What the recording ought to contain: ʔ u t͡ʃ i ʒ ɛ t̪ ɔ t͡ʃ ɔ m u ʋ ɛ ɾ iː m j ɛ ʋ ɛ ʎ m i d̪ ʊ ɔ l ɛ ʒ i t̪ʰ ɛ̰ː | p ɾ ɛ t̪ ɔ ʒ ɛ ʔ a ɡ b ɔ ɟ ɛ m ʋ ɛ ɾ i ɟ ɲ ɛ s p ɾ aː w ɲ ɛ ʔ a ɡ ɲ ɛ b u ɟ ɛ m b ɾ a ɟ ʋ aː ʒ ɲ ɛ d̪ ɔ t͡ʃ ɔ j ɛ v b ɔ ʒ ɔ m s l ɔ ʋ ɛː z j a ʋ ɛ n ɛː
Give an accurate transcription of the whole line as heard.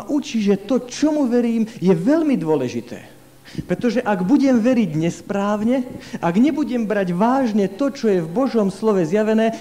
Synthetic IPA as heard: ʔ u t͡ʃ i ʒ ɛ t̪ ɔ t͡ʃ ɔ m u ʋ ɛ ɾ iː m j ɛ ʋ ɛ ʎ m i d̪ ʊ ɔ l ɛ ʒ i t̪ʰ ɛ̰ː | p ɾ ɛ t̪ ɔ ʒ ɛ ʔ a ɡ b u ɟ ɛ m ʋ ɛ ɾ i ɟ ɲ ɛ s p ɾ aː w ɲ ɛ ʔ a ɡ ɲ ɛ b u ɟ ɛ m b ɾ a ɟ ʋ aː ʒ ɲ ɛ t̪ ɔ t͡ʃ ɔ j ɛ v b ɔ ʒ ɔ m s l ɔ ʋ ɛ z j a ʋ ɛ n ɛː